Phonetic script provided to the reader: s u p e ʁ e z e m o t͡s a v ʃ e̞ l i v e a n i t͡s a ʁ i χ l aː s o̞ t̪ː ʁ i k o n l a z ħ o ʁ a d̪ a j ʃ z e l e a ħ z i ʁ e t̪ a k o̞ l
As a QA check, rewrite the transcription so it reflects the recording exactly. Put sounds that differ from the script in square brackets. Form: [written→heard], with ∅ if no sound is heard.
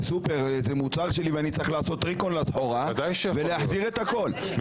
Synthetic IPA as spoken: s u p e ʁ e z e m [o→u] t͡s a [v→ʁ] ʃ e̞ l i v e a n i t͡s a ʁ i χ l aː s o̞ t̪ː ʁ i k o n l a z ħ o ʁ a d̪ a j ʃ [z→v] e l e a ħ z i ʁ e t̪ a k o̞ l